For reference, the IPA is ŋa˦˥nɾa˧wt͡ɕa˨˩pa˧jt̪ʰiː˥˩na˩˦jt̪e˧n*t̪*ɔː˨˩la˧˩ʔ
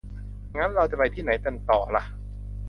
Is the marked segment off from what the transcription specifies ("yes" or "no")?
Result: no